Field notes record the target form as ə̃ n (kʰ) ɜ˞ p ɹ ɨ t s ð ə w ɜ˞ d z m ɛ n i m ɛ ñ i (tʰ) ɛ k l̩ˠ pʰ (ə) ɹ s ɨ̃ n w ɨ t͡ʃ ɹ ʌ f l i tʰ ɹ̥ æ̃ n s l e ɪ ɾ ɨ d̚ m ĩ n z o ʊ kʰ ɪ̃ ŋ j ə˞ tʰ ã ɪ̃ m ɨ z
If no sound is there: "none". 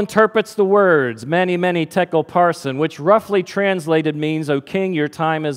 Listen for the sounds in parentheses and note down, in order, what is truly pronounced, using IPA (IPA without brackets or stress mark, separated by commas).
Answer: tʰ, tʰ, ɑ